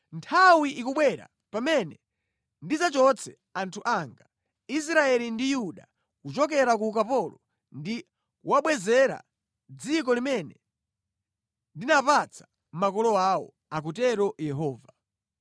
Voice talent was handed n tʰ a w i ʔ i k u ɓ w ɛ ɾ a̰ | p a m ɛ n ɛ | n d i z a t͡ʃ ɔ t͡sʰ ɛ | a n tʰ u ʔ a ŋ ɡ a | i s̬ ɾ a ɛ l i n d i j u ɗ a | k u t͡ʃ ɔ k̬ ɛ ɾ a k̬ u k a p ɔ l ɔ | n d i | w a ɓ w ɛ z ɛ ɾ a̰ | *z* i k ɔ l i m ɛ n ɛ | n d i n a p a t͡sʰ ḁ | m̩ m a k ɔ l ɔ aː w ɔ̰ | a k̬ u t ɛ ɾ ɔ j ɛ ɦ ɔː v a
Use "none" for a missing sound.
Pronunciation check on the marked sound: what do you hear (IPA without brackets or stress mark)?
d͡z